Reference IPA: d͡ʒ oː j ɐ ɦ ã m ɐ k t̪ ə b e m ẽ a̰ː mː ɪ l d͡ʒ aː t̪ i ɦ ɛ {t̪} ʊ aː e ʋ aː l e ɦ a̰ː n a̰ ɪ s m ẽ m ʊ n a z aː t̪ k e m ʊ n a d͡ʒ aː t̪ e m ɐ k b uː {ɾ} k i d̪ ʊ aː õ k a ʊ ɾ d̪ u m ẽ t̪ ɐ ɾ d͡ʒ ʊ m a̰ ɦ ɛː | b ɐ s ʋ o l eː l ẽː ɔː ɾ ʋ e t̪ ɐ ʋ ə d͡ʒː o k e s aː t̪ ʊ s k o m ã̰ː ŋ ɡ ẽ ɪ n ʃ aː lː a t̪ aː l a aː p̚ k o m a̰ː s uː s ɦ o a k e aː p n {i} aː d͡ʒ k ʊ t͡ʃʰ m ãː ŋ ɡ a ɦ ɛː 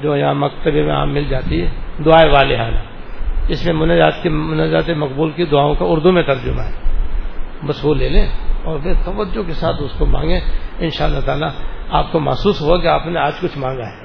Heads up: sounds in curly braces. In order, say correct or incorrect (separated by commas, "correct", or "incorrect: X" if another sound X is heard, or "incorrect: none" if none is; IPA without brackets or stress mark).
incorrect: d̪, incorrect: l, incorrect: e